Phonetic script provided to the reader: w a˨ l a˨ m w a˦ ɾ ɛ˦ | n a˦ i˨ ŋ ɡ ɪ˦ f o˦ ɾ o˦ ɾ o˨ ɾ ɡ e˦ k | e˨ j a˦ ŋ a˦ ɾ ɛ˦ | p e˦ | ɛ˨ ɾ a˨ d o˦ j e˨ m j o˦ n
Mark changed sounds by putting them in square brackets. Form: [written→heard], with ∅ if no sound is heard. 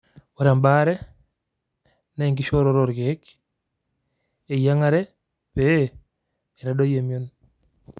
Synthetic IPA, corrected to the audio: w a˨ [l→ɾ] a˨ m [w→b] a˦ ɾ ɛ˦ | n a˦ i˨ ŋ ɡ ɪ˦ [f→ʃ] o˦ ɾ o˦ ɾ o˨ ɾ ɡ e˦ k | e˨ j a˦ ŋ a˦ ɾ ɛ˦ | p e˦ | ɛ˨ ɾ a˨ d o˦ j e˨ m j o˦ n